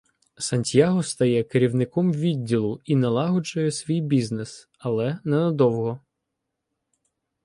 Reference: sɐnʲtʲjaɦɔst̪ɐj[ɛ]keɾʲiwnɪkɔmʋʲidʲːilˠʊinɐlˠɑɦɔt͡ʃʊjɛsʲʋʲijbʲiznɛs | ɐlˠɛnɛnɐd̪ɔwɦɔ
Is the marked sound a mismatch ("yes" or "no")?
no